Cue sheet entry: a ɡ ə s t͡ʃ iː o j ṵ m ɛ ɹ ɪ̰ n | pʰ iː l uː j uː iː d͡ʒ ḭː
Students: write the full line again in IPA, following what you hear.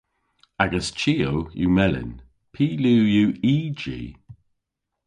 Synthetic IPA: a ɡ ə s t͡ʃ iː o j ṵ m ɛ l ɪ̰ n | pʰ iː l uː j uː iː d͡ʒ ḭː